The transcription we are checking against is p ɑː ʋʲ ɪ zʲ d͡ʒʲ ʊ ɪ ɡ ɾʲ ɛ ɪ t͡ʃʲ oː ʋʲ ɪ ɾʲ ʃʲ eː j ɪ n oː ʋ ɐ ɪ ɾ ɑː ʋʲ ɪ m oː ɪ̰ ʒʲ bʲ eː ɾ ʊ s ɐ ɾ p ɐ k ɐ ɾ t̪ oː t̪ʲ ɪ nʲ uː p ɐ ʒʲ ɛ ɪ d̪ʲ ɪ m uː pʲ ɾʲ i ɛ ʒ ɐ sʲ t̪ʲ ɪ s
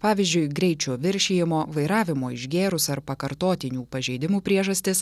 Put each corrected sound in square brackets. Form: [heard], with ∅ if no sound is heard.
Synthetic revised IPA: p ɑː ʋʲ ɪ zʲ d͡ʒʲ ʊ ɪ ɡ ɾʲ ɛ ɪ t͡ʃʲ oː ʋʲ ɪ ɾʲ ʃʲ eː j ɪ [m] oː ʋ ɐ ɪ ɾ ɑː ʋʲ ɪ m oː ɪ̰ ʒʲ [ɡʲ] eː ɾ ʊ s ɐ ɾ p ɐ k ɐ ɾ t̪ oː t̪ʲ ɪ nʲ uː p ɐ ʒʲ ɛ ɪ d̪ʲ ɪ m uː pʲ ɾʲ i ɛ ʒ ɐ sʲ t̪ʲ ɪ s